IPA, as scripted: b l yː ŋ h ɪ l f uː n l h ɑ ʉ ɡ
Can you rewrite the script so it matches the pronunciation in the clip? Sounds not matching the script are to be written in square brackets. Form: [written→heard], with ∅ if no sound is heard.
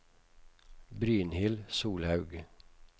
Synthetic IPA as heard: b [l→ɾ] yː [ŋ→n] h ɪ l [f→s] uː [n→∅] l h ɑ ʉ ɡ